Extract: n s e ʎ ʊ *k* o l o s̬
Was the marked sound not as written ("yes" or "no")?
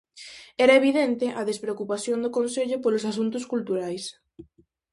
yes